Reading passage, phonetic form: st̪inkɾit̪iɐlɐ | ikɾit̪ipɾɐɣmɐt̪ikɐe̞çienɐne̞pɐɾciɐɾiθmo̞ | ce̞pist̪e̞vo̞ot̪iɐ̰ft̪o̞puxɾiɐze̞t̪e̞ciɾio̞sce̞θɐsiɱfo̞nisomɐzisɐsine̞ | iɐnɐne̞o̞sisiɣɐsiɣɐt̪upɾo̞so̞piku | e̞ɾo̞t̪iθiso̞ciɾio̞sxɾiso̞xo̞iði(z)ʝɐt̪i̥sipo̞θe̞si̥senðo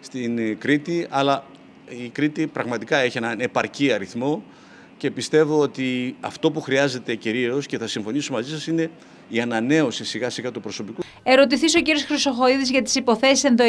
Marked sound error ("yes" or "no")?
no